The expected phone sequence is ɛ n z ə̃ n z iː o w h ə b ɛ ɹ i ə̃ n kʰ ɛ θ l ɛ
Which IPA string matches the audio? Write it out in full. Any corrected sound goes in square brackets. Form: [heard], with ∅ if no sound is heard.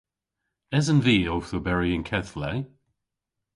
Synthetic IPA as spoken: ɛ [∅] z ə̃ n [v] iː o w [θ] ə b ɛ ɹ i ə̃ n kʰ ɛ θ l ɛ